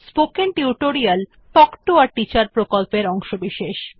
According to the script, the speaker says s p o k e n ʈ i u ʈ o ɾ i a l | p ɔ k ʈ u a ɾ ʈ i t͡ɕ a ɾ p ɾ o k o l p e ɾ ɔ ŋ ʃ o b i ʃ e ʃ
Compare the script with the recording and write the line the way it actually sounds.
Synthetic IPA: s p o k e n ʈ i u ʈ o ɾ i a l | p ɔ k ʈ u a ɾ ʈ i t͡ɕ a ɾ p ɾ o k o l p e ɾ ɔ ŋ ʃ o b i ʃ e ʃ